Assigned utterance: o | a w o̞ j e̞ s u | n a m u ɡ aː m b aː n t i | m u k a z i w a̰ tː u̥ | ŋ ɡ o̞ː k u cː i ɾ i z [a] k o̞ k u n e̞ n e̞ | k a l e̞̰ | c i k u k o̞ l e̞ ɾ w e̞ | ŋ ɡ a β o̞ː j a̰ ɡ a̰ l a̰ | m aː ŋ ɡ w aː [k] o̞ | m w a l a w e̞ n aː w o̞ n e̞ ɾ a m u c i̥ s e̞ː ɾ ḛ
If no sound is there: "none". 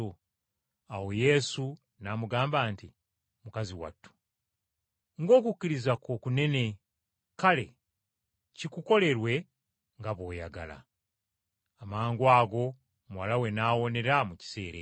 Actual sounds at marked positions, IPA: a, ɡ

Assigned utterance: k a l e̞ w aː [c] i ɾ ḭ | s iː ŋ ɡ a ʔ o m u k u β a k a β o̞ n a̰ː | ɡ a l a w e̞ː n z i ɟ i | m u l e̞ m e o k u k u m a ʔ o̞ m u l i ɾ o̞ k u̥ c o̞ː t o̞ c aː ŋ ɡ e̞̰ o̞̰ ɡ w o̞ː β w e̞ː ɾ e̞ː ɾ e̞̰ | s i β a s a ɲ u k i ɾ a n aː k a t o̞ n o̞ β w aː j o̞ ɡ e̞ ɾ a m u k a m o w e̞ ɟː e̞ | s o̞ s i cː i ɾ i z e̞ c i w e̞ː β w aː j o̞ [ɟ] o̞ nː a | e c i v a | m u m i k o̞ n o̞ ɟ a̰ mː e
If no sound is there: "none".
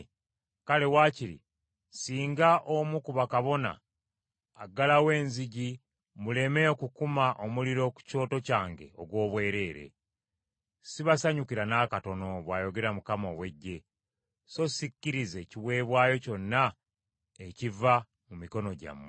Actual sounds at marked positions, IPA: c, c

